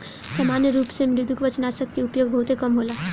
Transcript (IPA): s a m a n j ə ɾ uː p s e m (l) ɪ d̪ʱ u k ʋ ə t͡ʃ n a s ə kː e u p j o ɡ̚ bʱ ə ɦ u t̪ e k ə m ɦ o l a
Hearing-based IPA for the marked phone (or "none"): ɾ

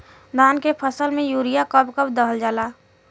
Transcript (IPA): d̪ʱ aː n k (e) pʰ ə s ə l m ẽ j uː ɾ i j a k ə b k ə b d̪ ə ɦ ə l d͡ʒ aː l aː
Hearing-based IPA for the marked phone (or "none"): e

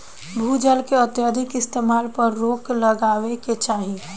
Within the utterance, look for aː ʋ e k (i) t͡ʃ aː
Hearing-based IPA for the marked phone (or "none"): e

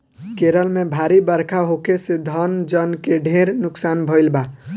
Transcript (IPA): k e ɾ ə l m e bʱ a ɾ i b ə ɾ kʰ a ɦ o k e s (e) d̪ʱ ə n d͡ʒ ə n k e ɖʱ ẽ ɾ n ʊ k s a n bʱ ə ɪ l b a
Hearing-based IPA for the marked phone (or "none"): e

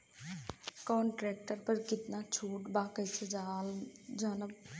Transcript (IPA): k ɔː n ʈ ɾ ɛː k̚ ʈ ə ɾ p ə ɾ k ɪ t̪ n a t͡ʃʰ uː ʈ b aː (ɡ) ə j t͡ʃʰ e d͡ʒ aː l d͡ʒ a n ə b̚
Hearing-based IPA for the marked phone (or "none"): k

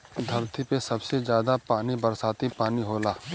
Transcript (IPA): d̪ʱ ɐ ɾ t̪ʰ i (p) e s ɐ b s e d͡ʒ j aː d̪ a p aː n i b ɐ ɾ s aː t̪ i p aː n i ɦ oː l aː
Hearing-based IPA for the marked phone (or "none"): p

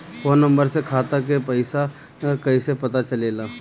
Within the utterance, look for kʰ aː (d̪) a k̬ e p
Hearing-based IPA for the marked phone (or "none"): t̪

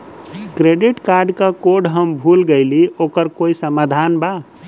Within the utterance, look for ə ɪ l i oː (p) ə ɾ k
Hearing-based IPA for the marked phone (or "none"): k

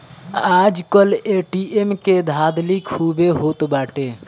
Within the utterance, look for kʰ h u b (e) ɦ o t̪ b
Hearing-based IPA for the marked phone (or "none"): e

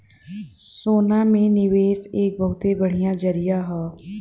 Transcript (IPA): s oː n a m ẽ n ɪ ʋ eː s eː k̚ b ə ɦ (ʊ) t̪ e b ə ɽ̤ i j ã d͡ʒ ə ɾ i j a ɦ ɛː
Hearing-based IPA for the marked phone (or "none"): ʊ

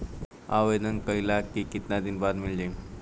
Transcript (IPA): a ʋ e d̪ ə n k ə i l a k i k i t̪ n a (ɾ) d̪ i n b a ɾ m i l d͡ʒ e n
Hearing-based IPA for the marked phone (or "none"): none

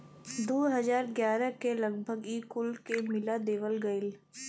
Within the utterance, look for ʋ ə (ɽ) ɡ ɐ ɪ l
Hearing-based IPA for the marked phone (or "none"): l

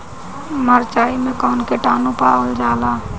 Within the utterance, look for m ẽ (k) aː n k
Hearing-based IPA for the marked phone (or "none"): k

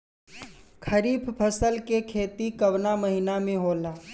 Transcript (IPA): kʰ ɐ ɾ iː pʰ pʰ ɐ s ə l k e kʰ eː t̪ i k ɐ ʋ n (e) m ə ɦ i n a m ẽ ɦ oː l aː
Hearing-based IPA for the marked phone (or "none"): a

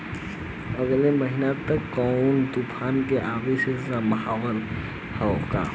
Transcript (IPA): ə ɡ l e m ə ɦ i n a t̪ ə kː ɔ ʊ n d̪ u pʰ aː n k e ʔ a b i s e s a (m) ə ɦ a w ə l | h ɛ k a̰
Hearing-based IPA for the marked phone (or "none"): m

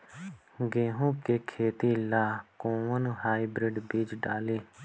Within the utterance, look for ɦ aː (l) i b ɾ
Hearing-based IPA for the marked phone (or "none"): none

